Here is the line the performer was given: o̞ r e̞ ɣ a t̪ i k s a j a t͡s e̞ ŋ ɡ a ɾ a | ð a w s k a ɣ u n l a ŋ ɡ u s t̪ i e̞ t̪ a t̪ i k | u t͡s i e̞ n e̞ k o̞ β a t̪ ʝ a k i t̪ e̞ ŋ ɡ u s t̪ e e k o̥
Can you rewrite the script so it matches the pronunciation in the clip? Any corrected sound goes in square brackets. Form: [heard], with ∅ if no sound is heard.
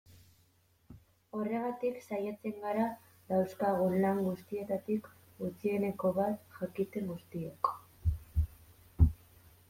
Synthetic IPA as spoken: o̞ r e̞ ɣ a t̪ i k s a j a t͡s e̞ ŋ ɡ a ɾ a | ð a w s k a ɣ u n l a ŋ ɡ u s t̪ i e̞ t̪ a t̪ i k | u t͡s i e̞ n e̞ k o̞ β a t̪ ʝ a k i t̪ e̞ ŋ ɡ u s t̪ [i] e k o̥